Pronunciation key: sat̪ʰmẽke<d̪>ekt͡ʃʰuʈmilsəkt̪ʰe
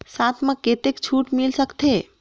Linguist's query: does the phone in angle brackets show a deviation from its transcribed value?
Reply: yes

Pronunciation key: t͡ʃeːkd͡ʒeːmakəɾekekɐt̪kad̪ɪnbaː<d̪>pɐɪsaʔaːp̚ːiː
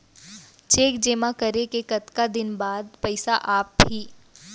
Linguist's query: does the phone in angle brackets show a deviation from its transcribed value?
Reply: no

